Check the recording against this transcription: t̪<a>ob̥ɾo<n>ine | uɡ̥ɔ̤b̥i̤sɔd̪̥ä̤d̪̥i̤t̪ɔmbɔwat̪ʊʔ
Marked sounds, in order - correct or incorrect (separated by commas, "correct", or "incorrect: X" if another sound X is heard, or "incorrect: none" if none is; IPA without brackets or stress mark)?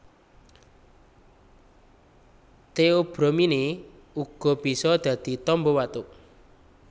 incorrect: e, incorrect: m